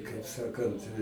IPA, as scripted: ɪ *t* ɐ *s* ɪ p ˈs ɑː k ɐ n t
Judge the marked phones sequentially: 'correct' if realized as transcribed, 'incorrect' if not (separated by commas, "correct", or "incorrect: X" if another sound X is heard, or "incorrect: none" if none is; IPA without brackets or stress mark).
incorrect: k, incorrect: none